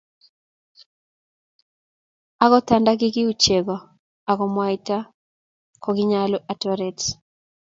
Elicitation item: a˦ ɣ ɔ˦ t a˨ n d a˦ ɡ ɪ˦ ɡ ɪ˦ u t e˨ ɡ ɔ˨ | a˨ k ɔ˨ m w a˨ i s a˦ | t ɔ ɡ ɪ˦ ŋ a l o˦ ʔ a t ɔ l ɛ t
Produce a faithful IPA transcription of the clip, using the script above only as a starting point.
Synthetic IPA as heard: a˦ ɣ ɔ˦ t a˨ n d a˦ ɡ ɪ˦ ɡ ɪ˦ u t͡ʃ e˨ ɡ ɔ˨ | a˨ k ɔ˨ m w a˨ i t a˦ | k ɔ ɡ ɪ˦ ɲ a l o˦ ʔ a t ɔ ɾ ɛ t